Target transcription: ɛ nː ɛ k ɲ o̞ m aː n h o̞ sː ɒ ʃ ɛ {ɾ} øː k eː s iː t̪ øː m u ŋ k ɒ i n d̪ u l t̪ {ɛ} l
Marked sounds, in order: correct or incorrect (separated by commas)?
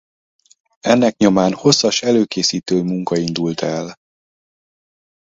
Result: incorrect, correct